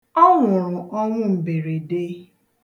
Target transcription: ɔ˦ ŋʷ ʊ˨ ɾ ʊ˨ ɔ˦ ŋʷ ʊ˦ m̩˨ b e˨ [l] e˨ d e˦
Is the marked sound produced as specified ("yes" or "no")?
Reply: no